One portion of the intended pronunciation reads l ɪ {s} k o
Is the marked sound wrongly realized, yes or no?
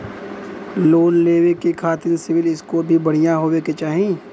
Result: no